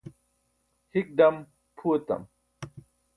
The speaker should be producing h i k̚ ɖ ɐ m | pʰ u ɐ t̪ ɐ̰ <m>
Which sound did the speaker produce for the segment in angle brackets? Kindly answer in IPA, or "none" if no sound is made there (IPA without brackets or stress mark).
m